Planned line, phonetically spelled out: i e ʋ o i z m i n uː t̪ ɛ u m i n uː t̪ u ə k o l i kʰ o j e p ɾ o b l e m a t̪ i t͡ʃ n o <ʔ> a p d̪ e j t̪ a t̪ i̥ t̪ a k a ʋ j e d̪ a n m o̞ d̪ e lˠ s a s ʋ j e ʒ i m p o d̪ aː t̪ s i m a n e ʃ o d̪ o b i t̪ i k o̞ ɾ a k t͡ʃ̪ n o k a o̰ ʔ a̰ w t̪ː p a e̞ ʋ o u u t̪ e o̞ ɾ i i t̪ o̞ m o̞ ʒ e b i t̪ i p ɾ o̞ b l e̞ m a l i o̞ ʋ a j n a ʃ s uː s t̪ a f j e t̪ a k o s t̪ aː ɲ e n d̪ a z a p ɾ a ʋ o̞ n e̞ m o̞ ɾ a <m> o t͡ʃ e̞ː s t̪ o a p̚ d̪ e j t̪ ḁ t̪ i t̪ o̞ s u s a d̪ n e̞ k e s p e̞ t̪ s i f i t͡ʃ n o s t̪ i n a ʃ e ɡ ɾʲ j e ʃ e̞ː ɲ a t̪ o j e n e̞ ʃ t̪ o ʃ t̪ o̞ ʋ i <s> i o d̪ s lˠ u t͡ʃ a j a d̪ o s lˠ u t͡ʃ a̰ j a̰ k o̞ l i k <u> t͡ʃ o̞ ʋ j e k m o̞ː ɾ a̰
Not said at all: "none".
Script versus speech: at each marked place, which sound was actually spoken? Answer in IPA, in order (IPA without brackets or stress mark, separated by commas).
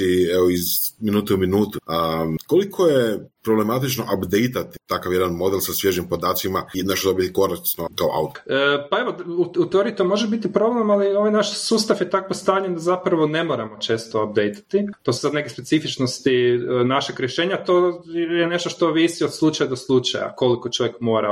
ʔ, m, s, o